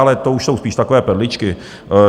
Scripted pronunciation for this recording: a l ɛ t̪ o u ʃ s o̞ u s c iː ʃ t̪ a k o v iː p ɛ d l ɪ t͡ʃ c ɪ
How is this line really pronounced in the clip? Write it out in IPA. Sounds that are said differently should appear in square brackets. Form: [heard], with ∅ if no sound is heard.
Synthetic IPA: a l ɛ t̪ o u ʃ s o̞ [w] s [p] iː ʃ t̪ a k o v [ɛː] p ɛ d l ɪ t͡ʃ [k] ɪ